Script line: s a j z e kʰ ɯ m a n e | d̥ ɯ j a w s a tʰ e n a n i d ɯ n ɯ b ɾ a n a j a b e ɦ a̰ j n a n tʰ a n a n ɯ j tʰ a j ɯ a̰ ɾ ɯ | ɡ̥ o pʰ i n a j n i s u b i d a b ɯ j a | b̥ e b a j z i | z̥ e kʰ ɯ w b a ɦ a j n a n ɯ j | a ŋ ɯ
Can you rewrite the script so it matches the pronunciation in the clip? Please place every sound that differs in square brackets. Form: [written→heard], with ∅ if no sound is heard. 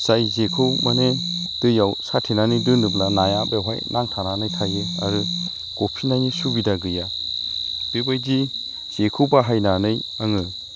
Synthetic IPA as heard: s a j z e kʰ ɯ m a n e | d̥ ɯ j a w s a tʰ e n a n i d ɯ n ɯ b [ɾ→l] a n a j a b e ɦ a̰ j n a [n→ŋ] tʰ a n a n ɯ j tʰ a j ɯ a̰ ɾ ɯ | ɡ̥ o pʰ i n a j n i s u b i d a [b→ɡ] ɯ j a | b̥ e b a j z i | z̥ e kʰ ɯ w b a ɦ a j n a n ɯ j | a ŋ ɯ